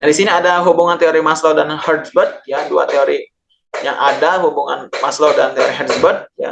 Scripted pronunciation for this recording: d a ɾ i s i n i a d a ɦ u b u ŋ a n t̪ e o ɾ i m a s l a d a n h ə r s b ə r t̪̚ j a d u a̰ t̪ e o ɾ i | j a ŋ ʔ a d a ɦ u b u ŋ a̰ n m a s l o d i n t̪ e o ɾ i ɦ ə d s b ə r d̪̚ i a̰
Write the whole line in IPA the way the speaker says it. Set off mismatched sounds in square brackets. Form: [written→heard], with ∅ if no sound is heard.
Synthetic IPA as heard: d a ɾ i s i n i a d a ɦ u b u ŋ a n t̪ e o ɾ i m a s l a d a n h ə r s b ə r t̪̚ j a d u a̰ t̪ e o ɾ i | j a ŋ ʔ a d a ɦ u b u ŋ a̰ n m a s l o d [i→a] n t̪ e o ɾ i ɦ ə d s b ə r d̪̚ [i→j] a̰

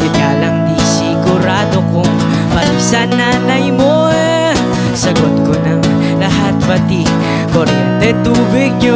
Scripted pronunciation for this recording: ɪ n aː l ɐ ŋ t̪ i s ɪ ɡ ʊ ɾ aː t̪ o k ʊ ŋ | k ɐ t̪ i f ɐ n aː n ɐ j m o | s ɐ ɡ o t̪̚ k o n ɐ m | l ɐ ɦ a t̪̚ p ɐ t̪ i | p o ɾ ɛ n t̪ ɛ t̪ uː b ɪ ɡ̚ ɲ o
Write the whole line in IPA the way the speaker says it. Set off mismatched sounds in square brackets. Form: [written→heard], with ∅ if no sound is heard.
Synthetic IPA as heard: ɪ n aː l ɐ ŋ [t̪→d̪] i s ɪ ɡ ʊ ɾ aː [t̪→d̪] o k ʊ ŋ | [k→p] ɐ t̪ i [f→s] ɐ n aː n ɐ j m o | s ɐ ɡ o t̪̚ k o n ɐ [m→ŋ] | l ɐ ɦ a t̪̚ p ɐ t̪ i | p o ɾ ɛ n t̪ ɛ t̪ uː b ɪ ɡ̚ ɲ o

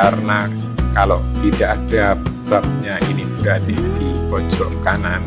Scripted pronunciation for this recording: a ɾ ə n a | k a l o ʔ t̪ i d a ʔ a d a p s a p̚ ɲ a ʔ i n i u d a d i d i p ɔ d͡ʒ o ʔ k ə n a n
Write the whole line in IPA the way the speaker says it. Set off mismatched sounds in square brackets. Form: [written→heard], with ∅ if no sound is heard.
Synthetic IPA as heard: a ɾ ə n a | k a l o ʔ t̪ i d a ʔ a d a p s a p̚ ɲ a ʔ i n i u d a d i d i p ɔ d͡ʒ [o→ɔ] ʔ k [ə→a] n a n

